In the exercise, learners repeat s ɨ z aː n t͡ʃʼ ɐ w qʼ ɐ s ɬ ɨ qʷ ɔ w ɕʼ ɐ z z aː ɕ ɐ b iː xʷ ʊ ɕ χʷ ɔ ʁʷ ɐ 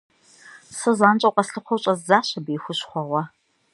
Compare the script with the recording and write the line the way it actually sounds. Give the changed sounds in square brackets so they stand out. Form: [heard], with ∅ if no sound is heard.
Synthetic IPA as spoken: s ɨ z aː n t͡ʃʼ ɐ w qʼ ɐ s ɬ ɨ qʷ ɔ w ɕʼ ɐ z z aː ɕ ɐ b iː xʷ ʊ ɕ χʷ ɔ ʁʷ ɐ